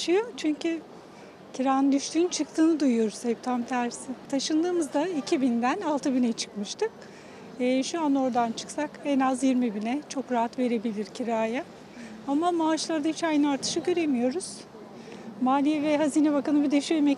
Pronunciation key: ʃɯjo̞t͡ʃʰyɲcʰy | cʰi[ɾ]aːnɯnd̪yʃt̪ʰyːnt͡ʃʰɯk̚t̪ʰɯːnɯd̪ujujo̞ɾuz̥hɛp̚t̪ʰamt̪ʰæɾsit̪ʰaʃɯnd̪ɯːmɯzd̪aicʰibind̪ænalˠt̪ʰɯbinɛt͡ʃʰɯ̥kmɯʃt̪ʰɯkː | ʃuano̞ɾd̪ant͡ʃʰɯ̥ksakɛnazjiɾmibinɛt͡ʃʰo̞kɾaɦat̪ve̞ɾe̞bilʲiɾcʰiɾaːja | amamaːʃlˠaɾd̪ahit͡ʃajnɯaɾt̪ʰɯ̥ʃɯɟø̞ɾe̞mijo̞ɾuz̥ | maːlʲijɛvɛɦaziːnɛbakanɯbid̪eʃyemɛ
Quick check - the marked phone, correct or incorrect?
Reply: correct